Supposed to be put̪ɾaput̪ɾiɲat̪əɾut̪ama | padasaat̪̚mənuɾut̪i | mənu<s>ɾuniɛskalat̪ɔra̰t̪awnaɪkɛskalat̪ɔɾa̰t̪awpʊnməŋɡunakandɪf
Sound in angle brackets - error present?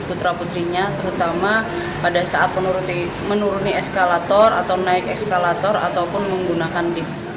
yes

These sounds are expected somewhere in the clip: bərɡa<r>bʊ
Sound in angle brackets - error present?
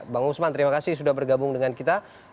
yes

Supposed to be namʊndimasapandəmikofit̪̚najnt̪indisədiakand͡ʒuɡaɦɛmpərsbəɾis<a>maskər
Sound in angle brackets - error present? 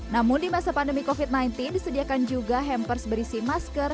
yes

